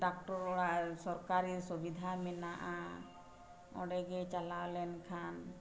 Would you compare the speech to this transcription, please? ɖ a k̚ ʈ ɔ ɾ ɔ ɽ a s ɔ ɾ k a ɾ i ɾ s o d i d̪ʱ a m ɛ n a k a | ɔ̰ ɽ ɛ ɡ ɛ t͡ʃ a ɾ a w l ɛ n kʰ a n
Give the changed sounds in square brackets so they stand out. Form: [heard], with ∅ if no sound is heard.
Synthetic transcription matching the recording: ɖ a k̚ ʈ ɔ ɾ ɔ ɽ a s ɔ ɾ k a ɾ i ɾ s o [b] i d̪ʱ a m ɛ n a [ʔ] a | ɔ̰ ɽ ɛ ɡ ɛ t͡ʃ a [l] a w l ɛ n kʰ a n